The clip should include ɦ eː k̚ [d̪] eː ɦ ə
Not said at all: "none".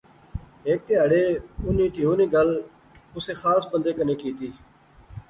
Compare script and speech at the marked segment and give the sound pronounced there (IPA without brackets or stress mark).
t̪